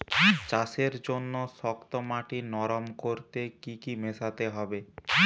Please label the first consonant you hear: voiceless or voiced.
voiceless